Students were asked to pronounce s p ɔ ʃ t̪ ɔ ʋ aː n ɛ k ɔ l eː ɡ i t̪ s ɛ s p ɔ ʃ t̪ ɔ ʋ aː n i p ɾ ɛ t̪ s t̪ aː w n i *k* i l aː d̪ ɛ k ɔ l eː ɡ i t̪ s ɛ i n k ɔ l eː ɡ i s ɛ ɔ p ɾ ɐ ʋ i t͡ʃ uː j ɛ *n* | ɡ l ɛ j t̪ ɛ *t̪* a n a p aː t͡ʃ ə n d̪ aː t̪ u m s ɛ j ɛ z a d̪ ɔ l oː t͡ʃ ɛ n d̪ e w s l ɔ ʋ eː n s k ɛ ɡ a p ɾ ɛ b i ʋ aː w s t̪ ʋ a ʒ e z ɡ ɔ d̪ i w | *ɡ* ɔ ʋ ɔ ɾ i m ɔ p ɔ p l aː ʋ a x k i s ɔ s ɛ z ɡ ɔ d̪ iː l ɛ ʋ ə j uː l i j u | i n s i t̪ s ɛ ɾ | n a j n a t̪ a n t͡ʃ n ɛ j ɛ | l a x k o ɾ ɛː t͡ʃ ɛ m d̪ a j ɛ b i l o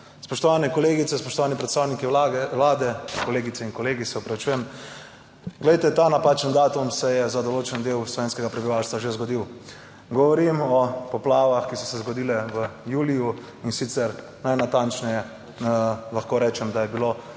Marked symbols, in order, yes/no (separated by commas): yes, no, yes, yes